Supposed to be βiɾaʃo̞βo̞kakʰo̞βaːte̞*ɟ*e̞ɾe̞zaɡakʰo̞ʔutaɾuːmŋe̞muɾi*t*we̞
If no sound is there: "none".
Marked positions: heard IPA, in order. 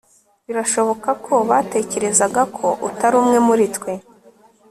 c, t

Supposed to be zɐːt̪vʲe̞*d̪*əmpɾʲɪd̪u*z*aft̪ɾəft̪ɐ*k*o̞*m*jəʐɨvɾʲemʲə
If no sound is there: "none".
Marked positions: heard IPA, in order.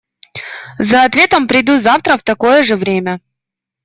t̪, z, k, none

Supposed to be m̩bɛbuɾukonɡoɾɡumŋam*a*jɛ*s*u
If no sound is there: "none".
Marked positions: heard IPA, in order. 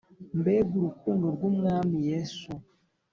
i, s

